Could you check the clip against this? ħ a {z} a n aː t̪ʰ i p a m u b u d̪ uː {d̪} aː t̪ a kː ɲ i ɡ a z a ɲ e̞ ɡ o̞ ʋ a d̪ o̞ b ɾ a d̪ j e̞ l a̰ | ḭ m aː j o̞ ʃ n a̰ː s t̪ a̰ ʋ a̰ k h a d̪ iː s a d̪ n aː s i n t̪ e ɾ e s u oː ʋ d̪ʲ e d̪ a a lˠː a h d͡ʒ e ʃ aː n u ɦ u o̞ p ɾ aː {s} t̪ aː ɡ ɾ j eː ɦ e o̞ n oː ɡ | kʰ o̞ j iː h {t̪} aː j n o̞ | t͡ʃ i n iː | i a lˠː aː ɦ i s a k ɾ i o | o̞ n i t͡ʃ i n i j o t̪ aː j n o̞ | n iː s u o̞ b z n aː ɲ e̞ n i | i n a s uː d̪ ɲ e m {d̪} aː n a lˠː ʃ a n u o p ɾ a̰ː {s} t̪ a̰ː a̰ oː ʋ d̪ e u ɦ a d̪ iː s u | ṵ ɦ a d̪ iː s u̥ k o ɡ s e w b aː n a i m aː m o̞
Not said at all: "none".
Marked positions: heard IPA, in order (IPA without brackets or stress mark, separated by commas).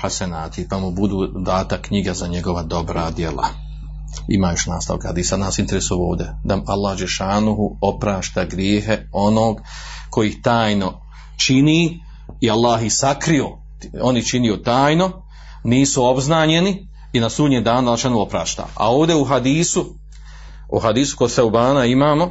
s, d̪, ʃ, t̪, d̪, ʃ